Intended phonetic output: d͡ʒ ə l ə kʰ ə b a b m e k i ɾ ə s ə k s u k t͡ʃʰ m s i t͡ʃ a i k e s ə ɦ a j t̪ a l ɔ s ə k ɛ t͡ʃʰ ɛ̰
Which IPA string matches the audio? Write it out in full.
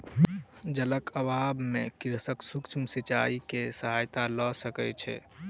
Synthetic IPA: d͡ʒ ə l ə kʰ ə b a b m e k i ɾ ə s ə k s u k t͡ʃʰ m s i t͡ʃ a i k e s ə ɦ a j t̪ a l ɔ s ə k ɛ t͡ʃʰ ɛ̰